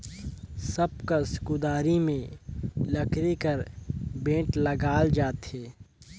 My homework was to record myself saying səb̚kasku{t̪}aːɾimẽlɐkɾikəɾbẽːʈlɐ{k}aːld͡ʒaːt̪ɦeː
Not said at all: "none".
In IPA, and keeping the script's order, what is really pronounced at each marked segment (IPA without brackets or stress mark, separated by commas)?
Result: d̪, ɡ